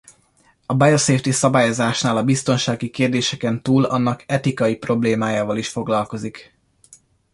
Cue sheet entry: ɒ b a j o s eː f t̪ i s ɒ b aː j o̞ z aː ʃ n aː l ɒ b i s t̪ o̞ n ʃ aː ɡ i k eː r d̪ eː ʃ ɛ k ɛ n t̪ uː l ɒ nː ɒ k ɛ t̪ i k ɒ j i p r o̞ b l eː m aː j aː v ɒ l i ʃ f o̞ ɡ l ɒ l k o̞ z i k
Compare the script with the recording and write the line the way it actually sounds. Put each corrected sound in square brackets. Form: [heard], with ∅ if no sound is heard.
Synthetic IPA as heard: ɒ b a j o s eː f t̪ i s ɒ b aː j o̞ z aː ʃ n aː l ɒ b i s t̪ o̞ n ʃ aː ɡ i k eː r d̪ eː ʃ ɛ k ɛ n t̪ uː l ɒ nː ɒ k ɛ t̪ i k ɒ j i p r o̞ b l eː m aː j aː v ɒ l i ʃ f o̞ ɡ l ɒ l k o̞ z i k